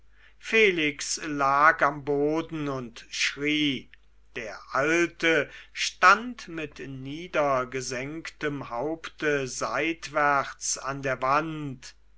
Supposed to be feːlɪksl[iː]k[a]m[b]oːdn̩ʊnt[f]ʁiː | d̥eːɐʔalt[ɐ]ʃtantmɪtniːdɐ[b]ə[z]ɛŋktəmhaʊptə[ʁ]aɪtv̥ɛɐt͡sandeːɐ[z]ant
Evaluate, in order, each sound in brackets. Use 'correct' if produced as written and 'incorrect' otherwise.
incorrect: aː, correct, correct, incorrect: ʃ, incorrect: ə, incorrect: ɡ, correct, incorrect: z, incorrect: v

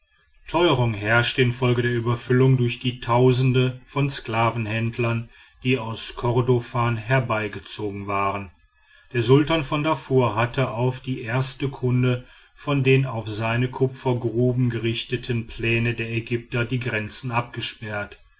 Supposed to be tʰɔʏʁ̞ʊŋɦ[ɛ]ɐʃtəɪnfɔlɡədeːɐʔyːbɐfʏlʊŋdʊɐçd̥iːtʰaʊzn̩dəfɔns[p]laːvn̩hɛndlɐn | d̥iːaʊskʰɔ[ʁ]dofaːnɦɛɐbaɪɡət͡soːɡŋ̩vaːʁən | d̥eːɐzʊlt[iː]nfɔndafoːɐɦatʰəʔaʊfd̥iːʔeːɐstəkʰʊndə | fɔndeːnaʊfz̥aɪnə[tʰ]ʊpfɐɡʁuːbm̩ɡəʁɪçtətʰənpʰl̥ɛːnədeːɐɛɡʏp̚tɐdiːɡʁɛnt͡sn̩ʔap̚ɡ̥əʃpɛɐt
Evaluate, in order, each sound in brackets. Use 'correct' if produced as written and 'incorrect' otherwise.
correct, incorrect: k, correct, incorrect: aː, incorrect: kʰ

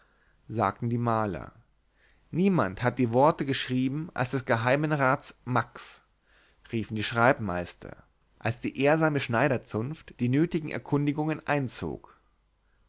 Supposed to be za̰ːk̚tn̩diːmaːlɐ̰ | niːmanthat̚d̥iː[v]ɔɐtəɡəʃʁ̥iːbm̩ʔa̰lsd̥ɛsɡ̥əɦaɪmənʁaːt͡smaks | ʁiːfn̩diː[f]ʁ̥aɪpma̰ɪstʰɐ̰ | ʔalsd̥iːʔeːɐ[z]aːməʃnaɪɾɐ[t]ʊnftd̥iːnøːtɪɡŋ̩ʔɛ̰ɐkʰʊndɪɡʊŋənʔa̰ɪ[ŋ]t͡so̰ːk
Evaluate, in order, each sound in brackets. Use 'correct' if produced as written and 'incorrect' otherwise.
correct, incorrect: ʃ, correct, incorrect: t͡s, incorrect: n

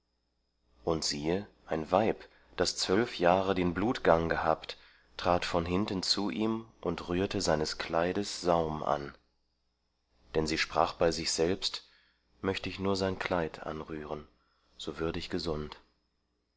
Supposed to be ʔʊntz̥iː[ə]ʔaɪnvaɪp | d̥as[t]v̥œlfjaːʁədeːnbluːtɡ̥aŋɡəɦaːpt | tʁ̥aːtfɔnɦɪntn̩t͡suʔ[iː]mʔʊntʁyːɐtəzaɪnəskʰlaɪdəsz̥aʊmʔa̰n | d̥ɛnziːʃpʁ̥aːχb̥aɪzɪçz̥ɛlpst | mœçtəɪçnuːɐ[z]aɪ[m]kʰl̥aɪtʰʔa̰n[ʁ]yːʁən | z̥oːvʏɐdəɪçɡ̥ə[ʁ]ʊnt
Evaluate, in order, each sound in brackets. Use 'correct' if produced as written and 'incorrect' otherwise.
correct, incorrect: t͡s, correct, correct, incorrect: n, correct, incorrect: z

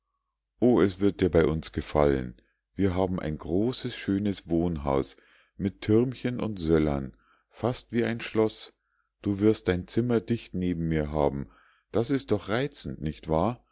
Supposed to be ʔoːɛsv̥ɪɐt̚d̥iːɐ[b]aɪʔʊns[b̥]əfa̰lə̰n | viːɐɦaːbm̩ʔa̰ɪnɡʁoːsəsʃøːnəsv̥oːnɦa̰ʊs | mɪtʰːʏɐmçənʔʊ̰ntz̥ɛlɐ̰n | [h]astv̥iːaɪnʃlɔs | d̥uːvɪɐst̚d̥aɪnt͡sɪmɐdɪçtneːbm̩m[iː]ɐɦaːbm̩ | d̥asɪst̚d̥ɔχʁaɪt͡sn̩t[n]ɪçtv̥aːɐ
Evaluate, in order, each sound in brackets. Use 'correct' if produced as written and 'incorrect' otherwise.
correct, incorrect: ɡ̥, incorrect: f, correct, correct

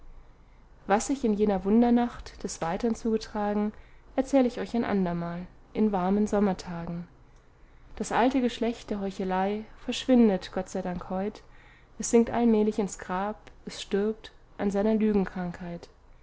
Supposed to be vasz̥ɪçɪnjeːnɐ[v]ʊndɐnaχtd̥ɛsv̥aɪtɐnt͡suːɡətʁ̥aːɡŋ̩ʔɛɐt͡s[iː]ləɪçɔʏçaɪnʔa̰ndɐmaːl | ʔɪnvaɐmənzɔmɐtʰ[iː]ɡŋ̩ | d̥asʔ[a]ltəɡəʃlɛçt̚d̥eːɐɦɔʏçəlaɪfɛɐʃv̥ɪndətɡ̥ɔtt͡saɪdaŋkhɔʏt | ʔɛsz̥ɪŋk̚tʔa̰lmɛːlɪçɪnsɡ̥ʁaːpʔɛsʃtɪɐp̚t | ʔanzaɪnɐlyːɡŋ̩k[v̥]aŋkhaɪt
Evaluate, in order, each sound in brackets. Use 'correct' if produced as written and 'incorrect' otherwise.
correct, incorrect: ɛː, incorrect: aː, correct, incorrect: ʁ̥

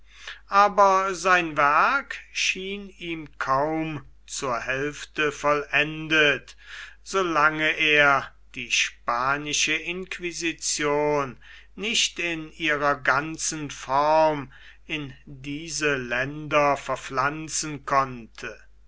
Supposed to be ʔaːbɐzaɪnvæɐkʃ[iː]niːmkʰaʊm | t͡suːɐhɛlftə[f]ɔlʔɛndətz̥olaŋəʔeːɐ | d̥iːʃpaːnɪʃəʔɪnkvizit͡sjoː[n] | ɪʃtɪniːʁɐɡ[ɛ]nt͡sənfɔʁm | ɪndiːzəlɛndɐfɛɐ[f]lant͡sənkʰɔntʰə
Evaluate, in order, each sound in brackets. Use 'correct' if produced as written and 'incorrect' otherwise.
correct, correct, incorrect: nː, incorrect: a, correct

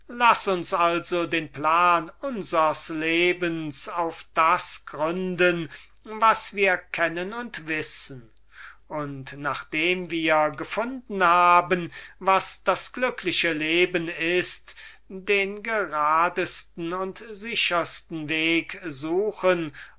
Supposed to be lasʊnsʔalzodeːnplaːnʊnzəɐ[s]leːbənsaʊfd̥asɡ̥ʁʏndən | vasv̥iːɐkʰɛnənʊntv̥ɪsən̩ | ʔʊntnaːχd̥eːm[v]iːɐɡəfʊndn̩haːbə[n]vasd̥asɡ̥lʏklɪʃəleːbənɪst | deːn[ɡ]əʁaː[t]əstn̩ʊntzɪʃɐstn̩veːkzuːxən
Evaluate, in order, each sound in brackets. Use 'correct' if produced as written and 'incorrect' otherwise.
correct, correct, correct, correct, incorrect: d

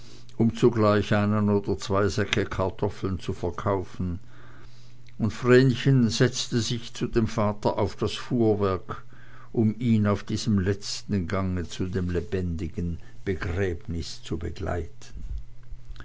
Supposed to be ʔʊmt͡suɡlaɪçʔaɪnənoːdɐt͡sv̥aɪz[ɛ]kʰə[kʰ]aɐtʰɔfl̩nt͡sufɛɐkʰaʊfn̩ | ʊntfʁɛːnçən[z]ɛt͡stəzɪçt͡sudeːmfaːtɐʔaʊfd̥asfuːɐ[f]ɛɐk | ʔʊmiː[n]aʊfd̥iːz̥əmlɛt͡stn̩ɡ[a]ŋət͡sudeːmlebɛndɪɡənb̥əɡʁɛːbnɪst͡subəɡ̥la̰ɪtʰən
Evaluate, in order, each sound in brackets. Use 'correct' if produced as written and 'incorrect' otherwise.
correct, correct, correct, incorrect: v, correct, correct

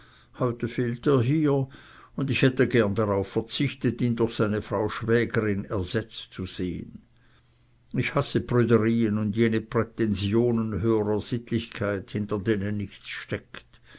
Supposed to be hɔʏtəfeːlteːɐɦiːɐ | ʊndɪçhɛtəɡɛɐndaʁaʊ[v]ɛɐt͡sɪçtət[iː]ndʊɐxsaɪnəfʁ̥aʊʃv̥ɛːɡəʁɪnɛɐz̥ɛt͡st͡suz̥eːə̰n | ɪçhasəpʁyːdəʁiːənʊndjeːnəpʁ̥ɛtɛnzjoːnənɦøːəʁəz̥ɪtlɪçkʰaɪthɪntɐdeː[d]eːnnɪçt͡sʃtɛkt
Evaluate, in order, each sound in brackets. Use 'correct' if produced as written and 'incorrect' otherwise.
incorrect: f, correct, incorrect: n

